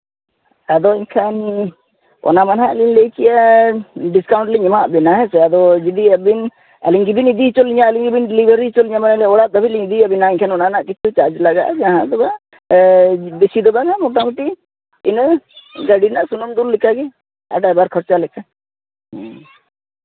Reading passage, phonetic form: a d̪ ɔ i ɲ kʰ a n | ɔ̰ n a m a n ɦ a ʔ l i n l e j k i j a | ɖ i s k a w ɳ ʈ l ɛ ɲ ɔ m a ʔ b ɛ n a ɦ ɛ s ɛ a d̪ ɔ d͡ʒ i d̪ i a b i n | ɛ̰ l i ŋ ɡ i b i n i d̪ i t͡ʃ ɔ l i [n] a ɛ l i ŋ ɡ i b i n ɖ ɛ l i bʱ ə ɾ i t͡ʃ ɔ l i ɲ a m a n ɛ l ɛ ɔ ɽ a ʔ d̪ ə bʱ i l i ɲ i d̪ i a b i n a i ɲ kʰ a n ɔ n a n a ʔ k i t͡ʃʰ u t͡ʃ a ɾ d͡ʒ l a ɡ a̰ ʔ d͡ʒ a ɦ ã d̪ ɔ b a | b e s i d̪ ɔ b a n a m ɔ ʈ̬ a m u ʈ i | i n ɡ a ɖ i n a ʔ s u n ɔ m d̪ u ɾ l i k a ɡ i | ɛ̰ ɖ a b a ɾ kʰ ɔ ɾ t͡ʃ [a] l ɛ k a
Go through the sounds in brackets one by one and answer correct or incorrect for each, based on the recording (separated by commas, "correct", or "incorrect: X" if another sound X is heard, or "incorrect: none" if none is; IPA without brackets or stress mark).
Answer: incorrect: ɲ, correct